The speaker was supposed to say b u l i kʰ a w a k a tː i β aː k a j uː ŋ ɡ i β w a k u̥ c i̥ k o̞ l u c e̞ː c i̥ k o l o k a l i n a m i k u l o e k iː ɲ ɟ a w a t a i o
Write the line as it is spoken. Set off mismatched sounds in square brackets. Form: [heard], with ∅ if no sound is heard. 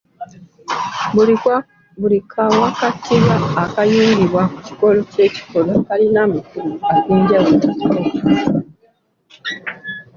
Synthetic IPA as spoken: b u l i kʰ a w a k a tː i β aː k a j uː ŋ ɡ i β w a k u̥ c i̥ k o̞ l [o] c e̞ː c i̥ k o l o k a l i n a m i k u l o [a] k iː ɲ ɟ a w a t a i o